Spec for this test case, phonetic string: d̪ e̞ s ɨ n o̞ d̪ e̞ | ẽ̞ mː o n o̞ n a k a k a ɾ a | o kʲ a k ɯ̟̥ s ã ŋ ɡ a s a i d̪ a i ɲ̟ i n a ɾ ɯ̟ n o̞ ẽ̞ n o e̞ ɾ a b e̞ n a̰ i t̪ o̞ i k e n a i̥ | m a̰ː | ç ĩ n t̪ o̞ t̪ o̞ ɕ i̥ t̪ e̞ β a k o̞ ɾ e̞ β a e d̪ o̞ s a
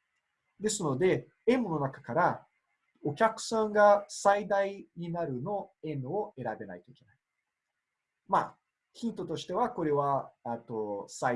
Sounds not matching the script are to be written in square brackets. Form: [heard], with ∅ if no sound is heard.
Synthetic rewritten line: d̪ e̞ s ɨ n o̞ d̪ e̞ | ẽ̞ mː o n o̞ n a k a k a ɾ a | o kʲ a k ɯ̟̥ s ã ŋ ɡ a s a i d̪ a i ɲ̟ i n a ɾ ɯ̟ n o̞ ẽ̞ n o e̞ ɾ a b e̞ n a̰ i t̪ o̞ i k e n a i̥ | m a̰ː | ç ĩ n t̪ o̞ t̪ o̞ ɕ i̥ t̪ e̞ β a k o̞ ɾ e̞ β a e [t̪] o̞ s a